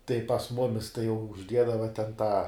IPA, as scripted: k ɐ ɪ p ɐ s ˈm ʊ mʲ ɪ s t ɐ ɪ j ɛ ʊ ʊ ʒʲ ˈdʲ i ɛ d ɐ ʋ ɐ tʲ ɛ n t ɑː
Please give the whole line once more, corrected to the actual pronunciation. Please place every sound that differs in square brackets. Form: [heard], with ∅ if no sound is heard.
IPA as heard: [t] ɐ ɪ p ɐ s ˈm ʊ mʲ ɪ s t ɐ ɪ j ɛ ʊ ʊ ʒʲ ˈdʲ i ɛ d ɐ ʋ ɐ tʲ ɛ n t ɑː

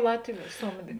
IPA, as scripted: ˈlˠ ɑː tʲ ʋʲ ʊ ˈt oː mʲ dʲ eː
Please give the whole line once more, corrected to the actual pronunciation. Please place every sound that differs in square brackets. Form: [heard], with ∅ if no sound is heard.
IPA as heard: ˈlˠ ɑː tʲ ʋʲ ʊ [ˈs] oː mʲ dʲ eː

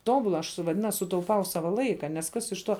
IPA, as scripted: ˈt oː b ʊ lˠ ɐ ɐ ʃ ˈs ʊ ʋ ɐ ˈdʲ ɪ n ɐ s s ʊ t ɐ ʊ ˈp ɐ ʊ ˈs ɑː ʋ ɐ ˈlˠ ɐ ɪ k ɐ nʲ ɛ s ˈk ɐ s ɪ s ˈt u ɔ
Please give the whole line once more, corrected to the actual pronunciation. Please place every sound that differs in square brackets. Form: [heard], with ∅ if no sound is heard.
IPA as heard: ˈt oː b ʊ lˠ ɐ ɐ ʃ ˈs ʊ ʋ ɐ ˈdʲ ɪ n ɐ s s ʊ t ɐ ʊ ˈp ɐ ʊ ˈs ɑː ʋ ɐ ˈlˠ ɐ ɪ k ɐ nʲ ɛ s ˈk ɐ s ɪ [ʃ] ˈt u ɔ

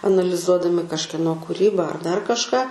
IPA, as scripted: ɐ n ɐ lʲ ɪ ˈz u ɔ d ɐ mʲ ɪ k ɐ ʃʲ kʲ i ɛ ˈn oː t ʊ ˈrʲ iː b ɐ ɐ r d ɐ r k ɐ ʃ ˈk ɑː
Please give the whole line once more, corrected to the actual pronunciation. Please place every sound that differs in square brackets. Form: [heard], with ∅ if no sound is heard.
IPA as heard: ɐ n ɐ lʲ ɪ ˈz u ɔ d ɐ mʲ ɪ k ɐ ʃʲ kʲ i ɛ ˈn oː [k] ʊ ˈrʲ iː b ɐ ɐ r d ɐ r k ɐ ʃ ˈk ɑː

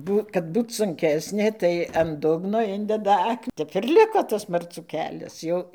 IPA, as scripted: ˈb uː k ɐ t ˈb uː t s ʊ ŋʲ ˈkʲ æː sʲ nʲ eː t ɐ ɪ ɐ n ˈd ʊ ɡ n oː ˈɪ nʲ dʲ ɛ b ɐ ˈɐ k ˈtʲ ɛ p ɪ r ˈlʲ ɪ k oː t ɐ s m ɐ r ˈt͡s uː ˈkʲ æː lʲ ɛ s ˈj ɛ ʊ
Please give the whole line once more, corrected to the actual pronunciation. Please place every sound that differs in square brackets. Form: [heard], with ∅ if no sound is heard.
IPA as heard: ˈb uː k ɐ t ˈb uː t s ʊ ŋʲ ˈkʲ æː sʲ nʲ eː t ɐ ɪ ɐ n ˈd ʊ ɡ n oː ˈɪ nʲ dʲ ɛ [d] ɐ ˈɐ k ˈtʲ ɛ p ɪ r ˈlʲ ɪ k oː t ɐ s m ɐ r ˈt͡s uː ˈkʲ æː lʲ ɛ s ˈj ɛ ʊ

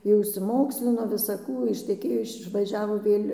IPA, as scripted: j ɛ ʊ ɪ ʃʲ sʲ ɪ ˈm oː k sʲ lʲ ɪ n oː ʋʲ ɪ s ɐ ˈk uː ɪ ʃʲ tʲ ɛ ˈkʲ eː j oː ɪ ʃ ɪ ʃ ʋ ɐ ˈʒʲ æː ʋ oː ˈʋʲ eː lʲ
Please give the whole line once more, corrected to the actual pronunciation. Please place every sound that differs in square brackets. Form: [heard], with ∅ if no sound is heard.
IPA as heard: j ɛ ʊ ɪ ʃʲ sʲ ɪ ˈm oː k sʲ lʲ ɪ n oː ʋʲ ɪ s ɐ ˈk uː ɪ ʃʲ tʲ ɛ ˈkʲ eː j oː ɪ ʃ ɪ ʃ ʋ ɐ ˈʒʲ æː ʋ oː ˈʋʲ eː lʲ

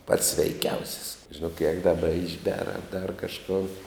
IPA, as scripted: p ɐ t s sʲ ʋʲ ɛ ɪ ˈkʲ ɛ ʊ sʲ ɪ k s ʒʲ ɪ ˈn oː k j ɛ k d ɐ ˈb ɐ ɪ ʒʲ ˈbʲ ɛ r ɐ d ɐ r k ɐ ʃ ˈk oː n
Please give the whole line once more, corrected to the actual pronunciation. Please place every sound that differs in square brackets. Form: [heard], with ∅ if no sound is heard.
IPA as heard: p ɐ t s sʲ ʋʲ ɛ ɪ ˈkʲ ɛ ʊ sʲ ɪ [∅] s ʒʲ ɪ ˈn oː k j ɛ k d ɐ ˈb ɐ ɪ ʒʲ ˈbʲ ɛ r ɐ d ɐ r k ɐ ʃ ˈk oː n

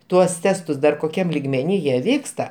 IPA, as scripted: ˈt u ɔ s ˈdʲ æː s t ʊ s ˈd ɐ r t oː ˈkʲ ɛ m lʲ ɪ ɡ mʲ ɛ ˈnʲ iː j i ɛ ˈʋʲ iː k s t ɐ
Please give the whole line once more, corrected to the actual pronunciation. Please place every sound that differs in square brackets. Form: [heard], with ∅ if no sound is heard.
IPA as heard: ˈt u ɔ s [ˈtʲ] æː s t ʊ s ˈd ɐ r [k] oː ˈkʲ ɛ m lʲ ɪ ɡ mʲ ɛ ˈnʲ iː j i ɛ ˈʋʲ iː k s t ɐ

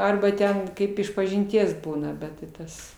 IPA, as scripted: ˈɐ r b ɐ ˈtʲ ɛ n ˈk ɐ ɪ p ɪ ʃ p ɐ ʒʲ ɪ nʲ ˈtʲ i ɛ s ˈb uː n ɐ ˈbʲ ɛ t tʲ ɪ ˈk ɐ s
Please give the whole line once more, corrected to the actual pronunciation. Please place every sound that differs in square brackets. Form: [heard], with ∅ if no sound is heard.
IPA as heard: ˈɐ r b ɐ ˈtʲ ɛ n ˈk ɐ ɪ p ɪ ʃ p ɐ ʒʲ ɪ nʲ ˈtʲ i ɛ s ˈb uː n ɐ ˈbʲ ɛ t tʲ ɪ [ˈt] ɐ s

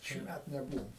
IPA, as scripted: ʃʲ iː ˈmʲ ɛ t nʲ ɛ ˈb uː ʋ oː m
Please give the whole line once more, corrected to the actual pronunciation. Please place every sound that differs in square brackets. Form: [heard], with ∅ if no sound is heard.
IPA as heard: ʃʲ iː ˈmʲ [æ] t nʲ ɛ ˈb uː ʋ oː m

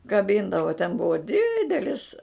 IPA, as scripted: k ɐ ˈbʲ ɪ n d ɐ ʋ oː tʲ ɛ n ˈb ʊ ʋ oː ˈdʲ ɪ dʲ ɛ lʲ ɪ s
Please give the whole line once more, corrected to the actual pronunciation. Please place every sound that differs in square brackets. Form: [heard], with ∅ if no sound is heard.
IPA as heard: k ɐ ˈbʲ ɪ n d ɐ ʋ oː tʲ ɛ n ˈb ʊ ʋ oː ˈdʲ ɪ dʲ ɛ lʲ ɪ s

